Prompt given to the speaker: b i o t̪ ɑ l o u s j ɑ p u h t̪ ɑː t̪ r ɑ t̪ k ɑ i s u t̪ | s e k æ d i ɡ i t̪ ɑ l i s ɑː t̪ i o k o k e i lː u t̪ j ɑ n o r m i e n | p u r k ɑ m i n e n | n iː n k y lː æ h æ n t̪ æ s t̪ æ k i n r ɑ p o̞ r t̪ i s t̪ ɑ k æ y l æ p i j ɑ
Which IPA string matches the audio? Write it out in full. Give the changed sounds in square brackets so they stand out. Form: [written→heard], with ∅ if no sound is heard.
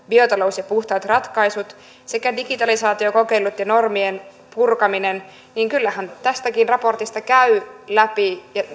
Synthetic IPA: b i o t̪ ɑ l o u s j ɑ p u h t̪ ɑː t̪ r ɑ t̪ k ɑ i s u t̪ | s e k æ d i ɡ i t̪ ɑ l i s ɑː t̪ i o k o k e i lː u t̪ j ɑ n o r m i e n | p u r k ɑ m i n e n | n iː [n→ŋ] k y lː æ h æ n t̪ æ s t̪ æ k i n r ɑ p o̞ r t̪ i s t̪ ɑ k æ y l æ p i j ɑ

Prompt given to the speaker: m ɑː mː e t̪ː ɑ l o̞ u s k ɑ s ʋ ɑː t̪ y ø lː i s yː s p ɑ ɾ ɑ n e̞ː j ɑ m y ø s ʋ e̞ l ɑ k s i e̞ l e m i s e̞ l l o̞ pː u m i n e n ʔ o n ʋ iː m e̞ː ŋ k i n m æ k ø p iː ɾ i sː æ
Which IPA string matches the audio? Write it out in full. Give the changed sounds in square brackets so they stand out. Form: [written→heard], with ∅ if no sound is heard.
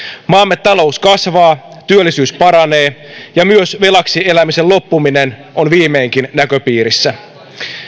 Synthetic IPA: m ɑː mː e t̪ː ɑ l o̞ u s k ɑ s ʋ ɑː t̪ y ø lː i s yː s p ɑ ɾ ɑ n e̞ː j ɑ m y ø s ʋ e̞ l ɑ k s i e̞ l [e→æ] m i s e̞ l l o̞ pː u m i n e n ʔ o n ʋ iː m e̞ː ŋ k i n [m→n] æ k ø p iː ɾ i sː æ

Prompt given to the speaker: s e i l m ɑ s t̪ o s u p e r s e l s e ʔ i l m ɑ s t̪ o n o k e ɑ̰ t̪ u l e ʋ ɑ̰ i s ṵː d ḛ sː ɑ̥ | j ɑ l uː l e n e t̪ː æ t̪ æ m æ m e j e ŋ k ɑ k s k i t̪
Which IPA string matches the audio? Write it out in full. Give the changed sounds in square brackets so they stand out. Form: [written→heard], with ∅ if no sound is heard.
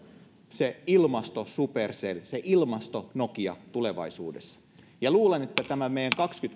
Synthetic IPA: s e i l m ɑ s t̪ o s u p e r s e l s e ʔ i l m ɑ s t̪ o n o k [e→i] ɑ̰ t̪ u l e ʋ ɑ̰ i s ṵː d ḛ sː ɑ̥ | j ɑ l uː l e n e t̪ː æ t̪ æ m æ m e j [e→æ] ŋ k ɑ k s k [i→y] t̪

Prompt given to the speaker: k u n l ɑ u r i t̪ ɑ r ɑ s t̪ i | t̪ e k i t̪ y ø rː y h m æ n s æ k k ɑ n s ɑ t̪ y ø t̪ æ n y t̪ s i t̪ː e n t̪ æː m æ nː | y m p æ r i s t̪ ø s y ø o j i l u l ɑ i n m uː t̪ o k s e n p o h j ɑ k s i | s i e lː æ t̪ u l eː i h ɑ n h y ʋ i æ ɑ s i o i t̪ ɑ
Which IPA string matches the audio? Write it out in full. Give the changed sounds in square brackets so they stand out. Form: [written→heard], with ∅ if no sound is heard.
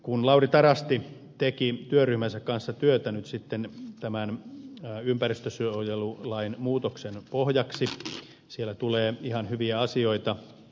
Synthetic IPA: k u n l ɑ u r i t̪ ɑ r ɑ s t̪ i | t̪ e k i t̪ y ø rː y h m æ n s æ k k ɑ n [s→sː] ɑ t̪ y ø t̪ æ n y t̪ s i t̪ː e n t̪ [æː→æ] m æ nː | y m p æ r i s t̪ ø s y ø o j [i→e] l u l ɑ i n m uː t̪ o k s e n p o h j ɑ k s i | s i e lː æ t̪ u l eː i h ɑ n h y ʋ i æ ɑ s i o i t̪ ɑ

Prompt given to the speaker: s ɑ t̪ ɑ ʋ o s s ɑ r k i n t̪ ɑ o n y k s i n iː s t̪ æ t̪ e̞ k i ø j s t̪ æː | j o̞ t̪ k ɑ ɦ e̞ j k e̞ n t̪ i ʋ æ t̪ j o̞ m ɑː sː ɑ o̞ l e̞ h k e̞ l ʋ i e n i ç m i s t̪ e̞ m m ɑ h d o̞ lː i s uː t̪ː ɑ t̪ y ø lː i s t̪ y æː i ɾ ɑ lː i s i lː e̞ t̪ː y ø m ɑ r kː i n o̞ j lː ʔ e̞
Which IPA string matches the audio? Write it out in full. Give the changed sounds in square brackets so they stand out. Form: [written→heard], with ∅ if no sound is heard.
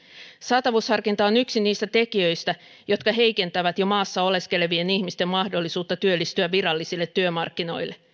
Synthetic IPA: s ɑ t̪ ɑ ʋ [o→u] s [s→h] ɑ r k i n t̪ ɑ o n y k s i n iː s t̪ æ t̪ e̞ k i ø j s t̪ [æː→æ] | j o̞ t̪ k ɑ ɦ e̞ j k e̞ n t̪ [i→æ] ʋ æ t̪ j o̞ m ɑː sː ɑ o̞ l e̞ [h→s] k e̞ l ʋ i e n i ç m i s t̪ e̞ m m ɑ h d o̞ lː i s uː t̪ː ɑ t̪ y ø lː i s t̪ y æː i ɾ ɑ lː i s i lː e̞ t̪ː y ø m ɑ r kː i n o̞ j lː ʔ e̞

